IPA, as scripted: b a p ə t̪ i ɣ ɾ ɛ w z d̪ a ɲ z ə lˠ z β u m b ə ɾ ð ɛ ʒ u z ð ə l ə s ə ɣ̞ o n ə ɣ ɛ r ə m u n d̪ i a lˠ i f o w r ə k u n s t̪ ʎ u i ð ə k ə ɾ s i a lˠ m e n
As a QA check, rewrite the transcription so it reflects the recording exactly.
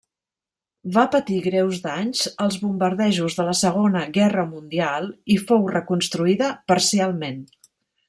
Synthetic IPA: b a p ə t̪ i ɣ ɾ ɛ w z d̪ a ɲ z ə lˠ z β u m b ə ɾ ð ɛ ʒ u z ð ə l ə s ə ɣ̞ o n ə ɣ ɛ r ə m u n d̪ i a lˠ i f o w r ə k u n s t̪ ɾ u i ð ə p ə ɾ s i a lˠ m e n